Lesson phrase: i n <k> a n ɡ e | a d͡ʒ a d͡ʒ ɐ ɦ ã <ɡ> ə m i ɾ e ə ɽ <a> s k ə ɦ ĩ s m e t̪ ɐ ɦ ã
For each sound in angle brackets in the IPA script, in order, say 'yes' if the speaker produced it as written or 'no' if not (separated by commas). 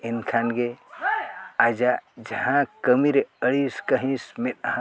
no, no, no